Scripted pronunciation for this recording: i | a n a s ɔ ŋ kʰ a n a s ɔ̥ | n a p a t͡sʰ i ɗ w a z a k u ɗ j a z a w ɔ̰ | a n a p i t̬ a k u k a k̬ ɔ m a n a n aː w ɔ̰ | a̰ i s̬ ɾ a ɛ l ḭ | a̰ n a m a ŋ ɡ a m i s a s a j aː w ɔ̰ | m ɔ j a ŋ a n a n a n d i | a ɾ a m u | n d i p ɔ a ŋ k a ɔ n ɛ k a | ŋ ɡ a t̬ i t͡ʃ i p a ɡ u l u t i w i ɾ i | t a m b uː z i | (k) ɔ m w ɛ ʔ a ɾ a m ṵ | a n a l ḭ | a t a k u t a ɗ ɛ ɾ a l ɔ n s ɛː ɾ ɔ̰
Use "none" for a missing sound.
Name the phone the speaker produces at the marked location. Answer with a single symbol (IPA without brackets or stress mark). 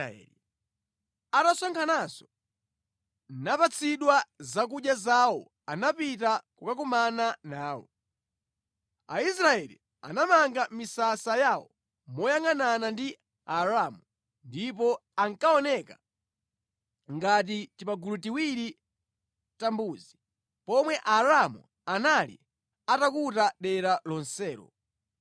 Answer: p